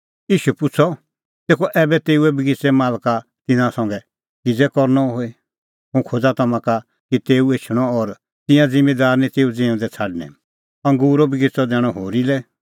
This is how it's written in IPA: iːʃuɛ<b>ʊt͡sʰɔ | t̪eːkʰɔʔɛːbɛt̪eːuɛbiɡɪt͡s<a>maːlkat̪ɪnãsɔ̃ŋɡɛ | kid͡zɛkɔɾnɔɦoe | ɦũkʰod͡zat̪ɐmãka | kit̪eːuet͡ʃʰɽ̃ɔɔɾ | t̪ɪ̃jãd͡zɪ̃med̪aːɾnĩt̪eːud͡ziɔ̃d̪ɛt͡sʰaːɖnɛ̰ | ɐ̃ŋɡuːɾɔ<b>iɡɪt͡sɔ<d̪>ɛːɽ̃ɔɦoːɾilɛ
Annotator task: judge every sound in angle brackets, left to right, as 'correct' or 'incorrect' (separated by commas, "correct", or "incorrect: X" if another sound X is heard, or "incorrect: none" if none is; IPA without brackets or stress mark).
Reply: incorrect: p, incorrect: ɛ, correct, correct